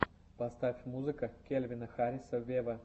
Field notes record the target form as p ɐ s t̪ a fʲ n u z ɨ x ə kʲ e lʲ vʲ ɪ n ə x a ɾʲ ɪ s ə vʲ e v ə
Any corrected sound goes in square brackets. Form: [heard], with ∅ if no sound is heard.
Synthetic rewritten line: p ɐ s t̪ a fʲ [m] u z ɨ [k] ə kʲ e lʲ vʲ ɪ n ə x a ɾʲ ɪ s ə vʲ e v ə